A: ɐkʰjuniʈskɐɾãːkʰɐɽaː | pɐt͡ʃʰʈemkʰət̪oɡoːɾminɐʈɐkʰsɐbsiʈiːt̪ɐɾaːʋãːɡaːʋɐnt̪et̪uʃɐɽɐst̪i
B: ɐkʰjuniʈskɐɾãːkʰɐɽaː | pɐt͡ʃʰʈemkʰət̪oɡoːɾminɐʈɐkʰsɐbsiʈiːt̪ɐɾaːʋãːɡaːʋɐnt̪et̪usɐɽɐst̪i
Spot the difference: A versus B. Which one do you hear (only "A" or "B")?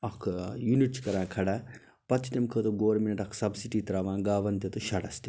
A